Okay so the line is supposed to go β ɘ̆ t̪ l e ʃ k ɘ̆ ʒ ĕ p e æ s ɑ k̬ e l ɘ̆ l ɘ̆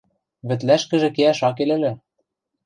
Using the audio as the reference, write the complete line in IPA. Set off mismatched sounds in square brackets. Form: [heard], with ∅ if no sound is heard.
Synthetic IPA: β ɘ̆ t̪ l [æ] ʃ k ɘ̆ ʒ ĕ [k] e æ [ʃ] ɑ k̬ e l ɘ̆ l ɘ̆